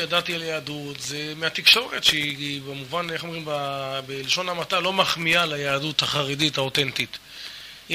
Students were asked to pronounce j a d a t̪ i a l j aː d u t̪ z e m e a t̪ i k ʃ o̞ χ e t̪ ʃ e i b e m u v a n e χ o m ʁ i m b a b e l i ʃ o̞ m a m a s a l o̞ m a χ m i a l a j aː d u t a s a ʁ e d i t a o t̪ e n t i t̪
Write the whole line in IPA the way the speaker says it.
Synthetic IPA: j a d a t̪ i a l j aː d u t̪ z e m e a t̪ i k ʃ o̞ ʁ e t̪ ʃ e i b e m u v a n e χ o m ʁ i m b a b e l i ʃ o̞ n a m a t a l o̞ m a χ m i a l a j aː d u t a χ a ʁ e d i t a o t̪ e n t i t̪